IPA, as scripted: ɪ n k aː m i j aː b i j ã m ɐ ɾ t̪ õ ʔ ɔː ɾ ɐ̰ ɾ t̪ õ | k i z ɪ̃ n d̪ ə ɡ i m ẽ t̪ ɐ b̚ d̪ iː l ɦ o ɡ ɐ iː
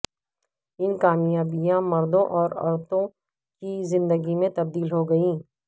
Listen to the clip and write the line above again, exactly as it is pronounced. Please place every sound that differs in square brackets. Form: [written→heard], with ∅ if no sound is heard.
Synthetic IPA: ɪ n k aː m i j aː b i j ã m ɐ ɾ [t̪→d̪] õ ʔ ɔː ɾ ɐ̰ ɾ t̪ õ | k i z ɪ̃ n d̪ ə ɡ i m ẽ t̪ ɐ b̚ d̪ iː l ɦ o ɡ ɐ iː